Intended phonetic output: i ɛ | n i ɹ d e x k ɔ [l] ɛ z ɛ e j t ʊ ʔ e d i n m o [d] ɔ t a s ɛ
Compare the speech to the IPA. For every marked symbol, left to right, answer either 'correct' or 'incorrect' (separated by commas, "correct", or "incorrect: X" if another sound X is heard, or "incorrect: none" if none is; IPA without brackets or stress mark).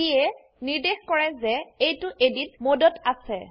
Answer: incorrect: ɹ, correct